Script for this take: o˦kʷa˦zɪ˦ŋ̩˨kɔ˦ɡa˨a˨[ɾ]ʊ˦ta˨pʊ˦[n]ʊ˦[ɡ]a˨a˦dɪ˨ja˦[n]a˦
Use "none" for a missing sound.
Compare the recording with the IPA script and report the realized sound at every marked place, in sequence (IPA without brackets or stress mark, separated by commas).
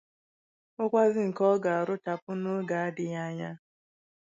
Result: ɾ, n, ɡ, ɲ